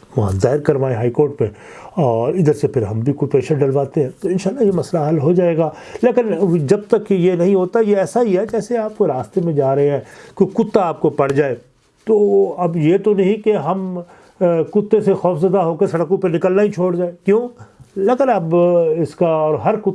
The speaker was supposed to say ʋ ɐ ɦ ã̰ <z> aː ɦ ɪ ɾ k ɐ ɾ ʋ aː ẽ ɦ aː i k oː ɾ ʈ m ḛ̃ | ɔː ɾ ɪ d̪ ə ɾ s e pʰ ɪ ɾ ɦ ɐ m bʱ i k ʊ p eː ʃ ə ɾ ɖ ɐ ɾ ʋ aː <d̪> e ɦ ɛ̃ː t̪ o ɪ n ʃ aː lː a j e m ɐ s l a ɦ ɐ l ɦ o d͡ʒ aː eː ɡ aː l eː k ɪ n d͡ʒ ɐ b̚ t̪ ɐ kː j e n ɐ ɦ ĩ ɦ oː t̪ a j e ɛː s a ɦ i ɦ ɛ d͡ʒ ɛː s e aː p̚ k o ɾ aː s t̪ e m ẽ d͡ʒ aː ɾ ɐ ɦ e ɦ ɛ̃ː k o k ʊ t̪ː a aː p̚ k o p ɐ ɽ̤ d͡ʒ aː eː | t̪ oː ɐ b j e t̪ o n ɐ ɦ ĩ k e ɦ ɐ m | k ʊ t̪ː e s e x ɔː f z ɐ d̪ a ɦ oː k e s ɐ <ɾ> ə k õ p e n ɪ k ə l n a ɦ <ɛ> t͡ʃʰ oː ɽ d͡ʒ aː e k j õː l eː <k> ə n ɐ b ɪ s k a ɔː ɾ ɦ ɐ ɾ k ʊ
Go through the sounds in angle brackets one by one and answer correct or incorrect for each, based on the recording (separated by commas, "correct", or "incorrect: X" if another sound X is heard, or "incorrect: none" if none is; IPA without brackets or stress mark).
correct, incorrect: t̪, incorrect: ɽ, incorrect: i, correct